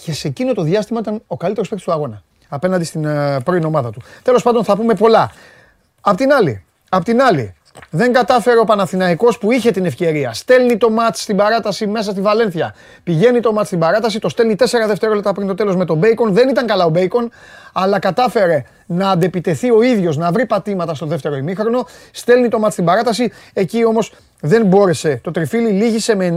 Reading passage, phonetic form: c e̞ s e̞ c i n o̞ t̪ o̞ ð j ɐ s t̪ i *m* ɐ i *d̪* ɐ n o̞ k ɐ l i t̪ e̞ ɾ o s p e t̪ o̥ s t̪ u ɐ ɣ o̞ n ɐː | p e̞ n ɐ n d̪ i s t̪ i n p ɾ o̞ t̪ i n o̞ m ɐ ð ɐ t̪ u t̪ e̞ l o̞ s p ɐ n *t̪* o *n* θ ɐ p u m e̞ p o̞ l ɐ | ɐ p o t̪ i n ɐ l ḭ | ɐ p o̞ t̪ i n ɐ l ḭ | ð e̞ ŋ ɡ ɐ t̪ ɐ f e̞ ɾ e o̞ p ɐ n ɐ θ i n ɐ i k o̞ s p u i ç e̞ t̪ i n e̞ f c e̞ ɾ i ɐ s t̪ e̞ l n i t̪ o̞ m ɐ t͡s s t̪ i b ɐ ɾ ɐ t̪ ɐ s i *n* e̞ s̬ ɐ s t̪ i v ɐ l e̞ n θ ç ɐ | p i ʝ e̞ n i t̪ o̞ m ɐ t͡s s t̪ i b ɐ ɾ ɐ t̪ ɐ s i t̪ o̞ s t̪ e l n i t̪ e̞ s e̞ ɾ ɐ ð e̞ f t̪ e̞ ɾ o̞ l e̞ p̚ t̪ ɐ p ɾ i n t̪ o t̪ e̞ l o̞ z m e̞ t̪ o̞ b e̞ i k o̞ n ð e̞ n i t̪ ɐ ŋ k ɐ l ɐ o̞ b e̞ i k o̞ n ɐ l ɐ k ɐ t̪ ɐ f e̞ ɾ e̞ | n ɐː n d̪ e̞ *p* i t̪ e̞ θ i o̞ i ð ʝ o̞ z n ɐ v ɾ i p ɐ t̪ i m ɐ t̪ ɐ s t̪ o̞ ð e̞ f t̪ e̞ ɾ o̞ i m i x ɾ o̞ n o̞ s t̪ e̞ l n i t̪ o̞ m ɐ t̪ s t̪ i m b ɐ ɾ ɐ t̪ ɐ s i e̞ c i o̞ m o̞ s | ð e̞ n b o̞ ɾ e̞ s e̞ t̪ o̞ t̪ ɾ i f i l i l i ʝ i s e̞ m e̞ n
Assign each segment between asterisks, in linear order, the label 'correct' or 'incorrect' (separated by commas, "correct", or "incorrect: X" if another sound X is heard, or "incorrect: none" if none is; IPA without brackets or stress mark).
correct, incorrect: t̪, incorrect: d̪, correct, incorrect: m, correct